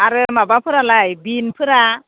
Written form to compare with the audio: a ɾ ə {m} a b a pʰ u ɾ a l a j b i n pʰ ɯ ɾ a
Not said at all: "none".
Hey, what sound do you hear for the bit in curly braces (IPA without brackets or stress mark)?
m